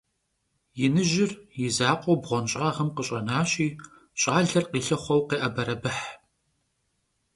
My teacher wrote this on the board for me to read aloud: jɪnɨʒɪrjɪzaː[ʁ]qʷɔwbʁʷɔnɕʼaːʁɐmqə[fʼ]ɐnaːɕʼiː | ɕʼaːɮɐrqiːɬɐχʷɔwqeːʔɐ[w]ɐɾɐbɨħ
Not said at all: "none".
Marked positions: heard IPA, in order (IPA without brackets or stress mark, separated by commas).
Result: none, ɕʼ, b